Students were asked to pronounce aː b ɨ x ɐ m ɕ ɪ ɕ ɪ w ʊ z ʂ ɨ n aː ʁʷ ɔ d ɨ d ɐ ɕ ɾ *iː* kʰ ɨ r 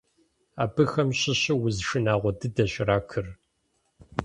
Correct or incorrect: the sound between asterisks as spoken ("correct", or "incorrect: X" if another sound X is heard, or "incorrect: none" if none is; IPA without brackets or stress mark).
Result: incorrect: aː